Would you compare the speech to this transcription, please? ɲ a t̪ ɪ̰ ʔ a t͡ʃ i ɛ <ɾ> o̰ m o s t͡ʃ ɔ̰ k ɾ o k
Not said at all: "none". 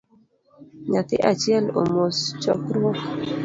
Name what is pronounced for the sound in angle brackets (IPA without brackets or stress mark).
l